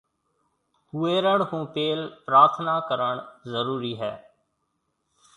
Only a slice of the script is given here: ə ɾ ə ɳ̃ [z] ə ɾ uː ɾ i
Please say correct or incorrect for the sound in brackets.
correct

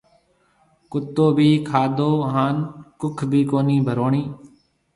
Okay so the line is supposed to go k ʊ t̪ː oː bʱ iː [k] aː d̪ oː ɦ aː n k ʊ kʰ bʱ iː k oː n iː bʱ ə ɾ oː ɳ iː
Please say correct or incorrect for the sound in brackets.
incorrect: kʰ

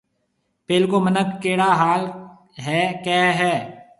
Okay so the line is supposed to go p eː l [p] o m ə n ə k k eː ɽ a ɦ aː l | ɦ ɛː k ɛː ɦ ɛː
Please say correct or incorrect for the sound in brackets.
incorrect: k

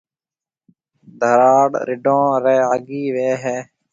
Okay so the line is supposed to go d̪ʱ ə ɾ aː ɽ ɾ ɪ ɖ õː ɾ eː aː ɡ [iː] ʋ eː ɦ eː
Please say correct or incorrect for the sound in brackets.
correct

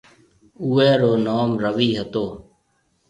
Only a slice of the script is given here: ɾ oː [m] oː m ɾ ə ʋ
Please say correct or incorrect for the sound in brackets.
incorrect: n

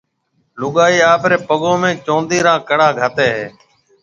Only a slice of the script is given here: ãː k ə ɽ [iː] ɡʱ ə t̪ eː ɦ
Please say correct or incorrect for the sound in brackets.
incorrect: aː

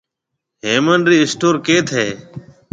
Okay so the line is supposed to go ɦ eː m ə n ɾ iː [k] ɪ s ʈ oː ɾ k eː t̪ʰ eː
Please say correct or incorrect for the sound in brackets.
incorrect: none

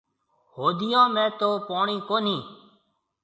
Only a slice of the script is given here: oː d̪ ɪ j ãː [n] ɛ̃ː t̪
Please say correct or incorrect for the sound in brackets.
incorrect: m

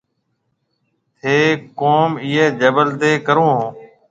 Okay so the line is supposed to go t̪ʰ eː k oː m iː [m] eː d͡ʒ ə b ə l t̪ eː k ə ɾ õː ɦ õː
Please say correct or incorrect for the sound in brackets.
incorrect: none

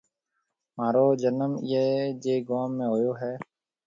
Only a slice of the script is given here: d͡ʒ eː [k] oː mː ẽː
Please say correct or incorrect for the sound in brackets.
incorrect: ɡ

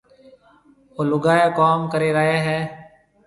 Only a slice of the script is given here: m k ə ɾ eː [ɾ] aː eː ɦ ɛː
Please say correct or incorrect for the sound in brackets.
correct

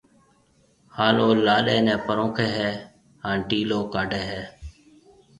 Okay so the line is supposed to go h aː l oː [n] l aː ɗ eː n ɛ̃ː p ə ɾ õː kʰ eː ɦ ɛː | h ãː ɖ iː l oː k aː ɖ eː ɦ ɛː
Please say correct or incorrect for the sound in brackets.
incorrect: none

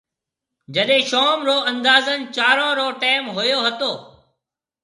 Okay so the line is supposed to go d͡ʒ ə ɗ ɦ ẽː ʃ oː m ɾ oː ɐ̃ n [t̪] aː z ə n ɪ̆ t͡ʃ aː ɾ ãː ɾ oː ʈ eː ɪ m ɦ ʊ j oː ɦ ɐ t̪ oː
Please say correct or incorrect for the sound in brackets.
incorrect: d̪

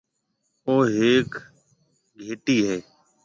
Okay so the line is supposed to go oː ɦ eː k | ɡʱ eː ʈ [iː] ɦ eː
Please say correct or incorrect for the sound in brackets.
correct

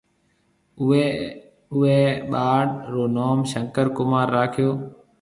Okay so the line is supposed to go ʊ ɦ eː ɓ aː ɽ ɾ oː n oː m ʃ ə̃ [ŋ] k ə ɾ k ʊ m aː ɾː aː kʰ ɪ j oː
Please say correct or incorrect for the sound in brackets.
correct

